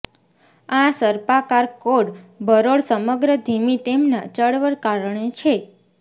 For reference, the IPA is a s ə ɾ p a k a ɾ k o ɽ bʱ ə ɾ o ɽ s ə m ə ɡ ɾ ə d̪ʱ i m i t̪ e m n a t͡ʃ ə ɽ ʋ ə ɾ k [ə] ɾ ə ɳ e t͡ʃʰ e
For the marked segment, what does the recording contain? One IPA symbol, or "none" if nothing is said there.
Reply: a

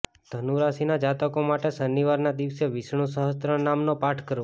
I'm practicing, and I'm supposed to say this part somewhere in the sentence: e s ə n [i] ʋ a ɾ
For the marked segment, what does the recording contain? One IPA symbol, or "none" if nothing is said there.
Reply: i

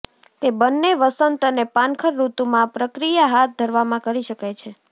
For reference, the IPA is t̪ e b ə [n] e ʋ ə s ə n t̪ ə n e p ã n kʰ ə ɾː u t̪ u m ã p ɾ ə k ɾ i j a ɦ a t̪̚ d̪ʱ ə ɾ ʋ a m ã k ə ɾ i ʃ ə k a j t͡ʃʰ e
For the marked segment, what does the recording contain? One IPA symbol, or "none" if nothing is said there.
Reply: nː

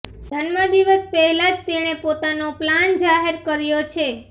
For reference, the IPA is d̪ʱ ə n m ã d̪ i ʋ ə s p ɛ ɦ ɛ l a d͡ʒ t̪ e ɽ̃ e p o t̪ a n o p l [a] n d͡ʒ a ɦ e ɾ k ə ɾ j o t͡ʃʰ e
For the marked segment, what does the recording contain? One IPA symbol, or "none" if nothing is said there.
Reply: a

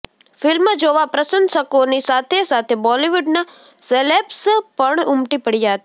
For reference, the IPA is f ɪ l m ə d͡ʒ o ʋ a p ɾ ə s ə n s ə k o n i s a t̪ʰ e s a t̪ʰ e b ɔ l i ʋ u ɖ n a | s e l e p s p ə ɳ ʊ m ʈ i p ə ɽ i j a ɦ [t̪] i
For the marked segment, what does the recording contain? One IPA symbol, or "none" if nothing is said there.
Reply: t̪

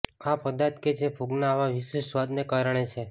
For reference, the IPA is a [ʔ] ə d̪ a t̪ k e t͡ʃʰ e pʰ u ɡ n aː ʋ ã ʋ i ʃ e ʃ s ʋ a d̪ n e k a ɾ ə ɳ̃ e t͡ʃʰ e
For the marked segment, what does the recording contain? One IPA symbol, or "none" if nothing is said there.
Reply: p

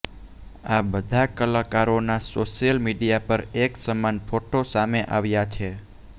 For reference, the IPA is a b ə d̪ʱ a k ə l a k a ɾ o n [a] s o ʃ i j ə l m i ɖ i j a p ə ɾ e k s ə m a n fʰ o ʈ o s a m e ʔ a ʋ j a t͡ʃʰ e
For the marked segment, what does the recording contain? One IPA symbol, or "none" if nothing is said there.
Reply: a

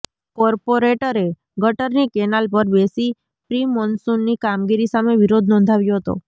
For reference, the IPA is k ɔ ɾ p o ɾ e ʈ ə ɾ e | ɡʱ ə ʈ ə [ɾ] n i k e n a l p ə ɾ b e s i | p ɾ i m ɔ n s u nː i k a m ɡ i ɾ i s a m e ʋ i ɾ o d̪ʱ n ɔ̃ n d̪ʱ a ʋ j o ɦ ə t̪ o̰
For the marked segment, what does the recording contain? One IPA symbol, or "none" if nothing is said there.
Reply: ɾ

